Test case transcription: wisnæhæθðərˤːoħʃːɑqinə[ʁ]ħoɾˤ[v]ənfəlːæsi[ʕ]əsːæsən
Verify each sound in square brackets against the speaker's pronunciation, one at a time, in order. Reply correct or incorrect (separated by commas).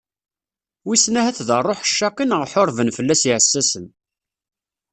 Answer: correct, correct, correct